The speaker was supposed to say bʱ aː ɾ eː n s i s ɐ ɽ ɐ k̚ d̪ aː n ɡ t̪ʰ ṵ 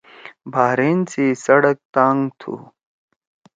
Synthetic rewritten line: bʱ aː ɾ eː n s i s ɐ ɽ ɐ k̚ t̪ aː ŋ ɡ t̪ʰ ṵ

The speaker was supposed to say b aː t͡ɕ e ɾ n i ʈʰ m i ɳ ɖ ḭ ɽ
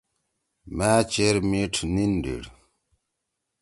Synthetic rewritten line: m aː t͡ɕ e ɾ m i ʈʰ n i n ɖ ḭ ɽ

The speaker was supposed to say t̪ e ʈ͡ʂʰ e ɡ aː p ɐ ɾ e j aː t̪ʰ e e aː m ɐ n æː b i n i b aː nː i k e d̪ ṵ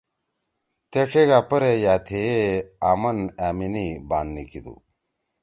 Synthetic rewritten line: t̪ e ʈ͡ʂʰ e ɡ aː p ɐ ɾ e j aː t̪ʰ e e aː m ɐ n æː m i n i b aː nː i k i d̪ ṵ

